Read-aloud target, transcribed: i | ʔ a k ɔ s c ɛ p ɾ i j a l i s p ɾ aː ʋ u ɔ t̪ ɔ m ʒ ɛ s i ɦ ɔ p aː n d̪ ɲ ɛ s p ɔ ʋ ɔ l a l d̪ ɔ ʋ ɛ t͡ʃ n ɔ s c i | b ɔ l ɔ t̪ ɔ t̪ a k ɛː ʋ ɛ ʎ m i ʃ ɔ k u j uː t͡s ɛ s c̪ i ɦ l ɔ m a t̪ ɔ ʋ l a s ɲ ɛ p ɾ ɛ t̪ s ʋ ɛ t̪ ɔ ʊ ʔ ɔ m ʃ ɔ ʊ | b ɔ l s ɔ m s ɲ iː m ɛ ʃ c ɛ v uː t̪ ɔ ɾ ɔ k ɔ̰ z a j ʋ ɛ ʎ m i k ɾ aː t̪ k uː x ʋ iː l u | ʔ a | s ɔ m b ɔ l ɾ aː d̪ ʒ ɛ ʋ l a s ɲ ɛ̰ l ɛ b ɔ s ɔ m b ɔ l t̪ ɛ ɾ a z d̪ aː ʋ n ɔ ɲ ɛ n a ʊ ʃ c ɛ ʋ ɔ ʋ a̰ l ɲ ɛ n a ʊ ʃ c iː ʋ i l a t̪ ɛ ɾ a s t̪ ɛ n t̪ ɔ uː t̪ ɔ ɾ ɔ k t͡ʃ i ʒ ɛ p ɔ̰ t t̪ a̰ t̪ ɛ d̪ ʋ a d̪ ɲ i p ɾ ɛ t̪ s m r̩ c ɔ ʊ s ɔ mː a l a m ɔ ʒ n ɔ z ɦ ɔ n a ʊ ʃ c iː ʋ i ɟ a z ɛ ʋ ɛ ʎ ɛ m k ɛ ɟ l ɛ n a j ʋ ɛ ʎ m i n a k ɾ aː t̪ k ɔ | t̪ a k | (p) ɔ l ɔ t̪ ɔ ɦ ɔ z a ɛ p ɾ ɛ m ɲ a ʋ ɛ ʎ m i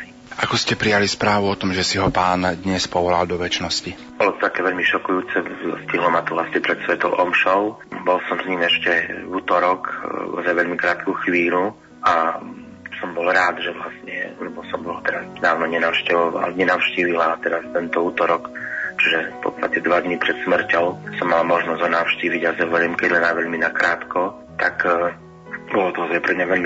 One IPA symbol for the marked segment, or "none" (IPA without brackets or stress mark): b